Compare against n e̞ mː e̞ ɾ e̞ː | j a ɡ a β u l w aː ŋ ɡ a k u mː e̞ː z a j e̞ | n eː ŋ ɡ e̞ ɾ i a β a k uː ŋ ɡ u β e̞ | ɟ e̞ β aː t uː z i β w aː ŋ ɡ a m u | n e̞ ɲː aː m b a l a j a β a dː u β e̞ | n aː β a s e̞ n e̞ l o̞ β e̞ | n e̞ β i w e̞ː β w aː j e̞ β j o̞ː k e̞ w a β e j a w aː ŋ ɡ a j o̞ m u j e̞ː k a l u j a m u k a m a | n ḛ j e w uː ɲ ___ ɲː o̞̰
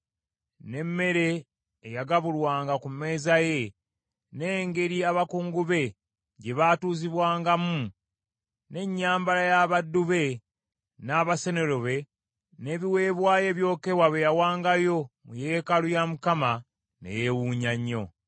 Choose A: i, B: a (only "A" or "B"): B